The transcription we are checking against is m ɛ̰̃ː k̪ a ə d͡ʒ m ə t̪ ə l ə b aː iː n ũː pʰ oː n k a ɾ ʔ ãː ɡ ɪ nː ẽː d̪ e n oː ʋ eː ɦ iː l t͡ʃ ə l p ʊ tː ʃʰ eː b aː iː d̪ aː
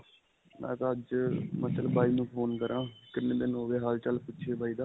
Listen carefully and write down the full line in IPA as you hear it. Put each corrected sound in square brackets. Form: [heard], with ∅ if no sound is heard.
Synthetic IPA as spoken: m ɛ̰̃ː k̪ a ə d͡ʒ m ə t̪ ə l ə b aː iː n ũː pʰ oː n k [ə] ɾ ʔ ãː [k] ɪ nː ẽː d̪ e n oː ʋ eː ɦ [aː] l t͡ʃ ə l p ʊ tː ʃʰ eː b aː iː d̪ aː